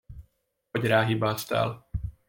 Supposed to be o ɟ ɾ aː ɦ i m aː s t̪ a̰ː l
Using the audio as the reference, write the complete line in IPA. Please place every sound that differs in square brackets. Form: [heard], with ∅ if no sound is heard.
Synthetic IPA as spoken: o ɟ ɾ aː ɦ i [b] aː s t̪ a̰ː l